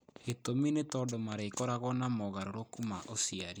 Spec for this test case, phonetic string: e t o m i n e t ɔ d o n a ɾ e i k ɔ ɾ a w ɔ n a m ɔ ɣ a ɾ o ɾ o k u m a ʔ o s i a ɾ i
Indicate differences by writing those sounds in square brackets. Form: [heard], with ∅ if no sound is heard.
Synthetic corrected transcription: e t o m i n e t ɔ d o [m] a ɾ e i k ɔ ɾ a [ɣ] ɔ n a m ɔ ɣ a ɾ o ɾ o k u m a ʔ o s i a ɾ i